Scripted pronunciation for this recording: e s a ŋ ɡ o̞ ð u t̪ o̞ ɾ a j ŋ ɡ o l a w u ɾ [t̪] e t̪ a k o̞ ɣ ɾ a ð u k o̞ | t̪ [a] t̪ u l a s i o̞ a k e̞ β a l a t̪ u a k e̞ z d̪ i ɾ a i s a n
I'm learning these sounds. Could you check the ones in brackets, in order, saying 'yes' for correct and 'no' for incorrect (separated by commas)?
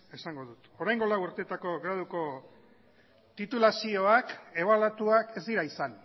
yes, no